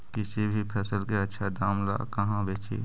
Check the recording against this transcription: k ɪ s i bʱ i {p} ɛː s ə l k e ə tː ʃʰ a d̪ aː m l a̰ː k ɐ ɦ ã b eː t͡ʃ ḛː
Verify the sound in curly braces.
incorrect: pʰ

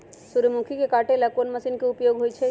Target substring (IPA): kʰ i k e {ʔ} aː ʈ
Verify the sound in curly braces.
incorrect: k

